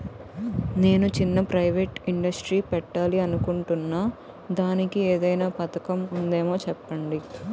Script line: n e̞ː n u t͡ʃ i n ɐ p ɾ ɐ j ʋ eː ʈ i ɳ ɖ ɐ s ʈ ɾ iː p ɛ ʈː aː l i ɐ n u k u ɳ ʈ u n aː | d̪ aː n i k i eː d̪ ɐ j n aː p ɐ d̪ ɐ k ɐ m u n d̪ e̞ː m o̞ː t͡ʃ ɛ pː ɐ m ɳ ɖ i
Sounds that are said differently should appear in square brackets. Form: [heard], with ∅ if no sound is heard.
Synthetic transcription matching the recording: n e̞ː n u t͡ʃ i [nː] ɐ p ɾ ɐ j ʋ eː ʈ i ɳ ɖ ɐ s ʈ ɾ iː p ɛ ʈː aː l i ɐ n u k u ɳ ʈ u [nː] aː | d̪ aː n i k i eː d̪ ɐ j n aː p ɐ [t̪] ɐ k ɐ m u n d̪ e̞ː m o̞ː t͡ʃ ɛ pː ɐ [∅] ɳ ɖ i